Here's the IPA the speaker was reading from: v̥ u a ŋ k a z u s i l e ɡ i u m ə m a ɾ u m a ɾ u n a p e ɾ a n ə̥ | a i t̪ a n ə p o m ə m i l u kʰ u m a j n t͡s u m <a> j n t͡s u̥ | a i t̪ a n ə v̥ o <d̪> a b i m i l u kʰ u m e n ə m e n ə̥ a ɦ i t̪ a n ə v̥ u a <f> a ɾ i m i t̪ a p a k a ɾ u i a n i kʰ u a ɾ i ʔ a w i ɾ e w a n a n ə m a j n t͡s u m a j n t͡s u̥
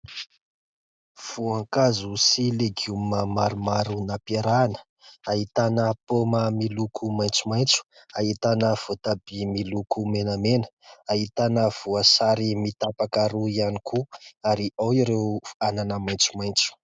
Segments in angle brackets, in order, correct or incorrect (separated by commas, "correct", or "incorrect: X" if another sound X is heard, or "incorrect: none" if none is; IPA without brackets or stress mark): correct, incorrect: t̪, incorrect: s